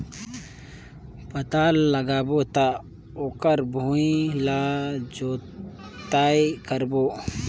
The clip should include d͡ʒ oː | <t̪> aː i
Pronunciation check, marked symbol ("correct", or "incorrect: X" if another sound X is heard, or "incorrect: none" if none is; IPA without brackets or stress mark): correct